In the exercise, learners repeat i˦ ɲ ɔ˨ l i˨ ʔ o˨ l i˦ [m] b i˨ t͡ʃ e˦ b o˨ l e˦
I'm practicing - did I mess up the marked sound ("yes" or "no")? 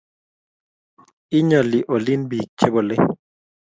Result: yes